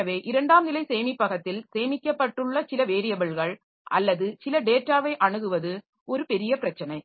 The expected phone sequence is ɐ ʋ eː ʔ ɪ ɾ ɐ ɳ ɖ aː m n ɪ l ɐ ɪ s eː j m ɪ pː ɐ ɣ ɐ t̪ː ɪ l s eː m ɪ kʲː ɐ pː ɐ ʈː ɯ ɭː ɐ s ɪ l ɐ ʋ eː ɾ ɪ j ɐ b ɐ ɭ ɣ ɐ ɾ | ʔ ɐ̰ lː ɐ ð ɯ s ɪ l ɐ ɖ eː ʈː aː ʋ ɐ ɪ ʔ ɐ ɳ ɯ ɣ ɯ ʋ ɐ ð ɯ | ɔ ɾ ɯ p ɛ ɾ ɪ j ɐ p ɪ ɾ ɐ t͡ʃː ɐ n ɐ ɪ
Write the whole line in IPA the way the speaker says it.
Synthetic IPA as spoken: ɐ ʋ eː ʔ ɪ ɾ ɐ ɳ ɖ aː m n ɪ l ɐ ɪ s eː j m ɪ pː ɐ ɣ ɐ t̪ː ɪ l s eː m ɪ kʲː ɐ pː ɐ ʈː ɯ ɭː ɐ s ɪ l ɐ ʋ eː ɾ ɪ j ɐ b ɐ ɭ ɣ ɐ ɭ | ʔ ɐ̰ lː ɐ ð ɯ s ɪ l ɐ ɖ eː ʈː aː ʋ ɐ ɪ ʔ ɐ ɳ ɯ ɣ ɯ ʋ ɐ ð ɯ | ɔ ɾ ɯ p ɛ ɾ ɪ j ɐ p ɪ ɾ ɐ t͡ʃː ɐ n ɐ ɪ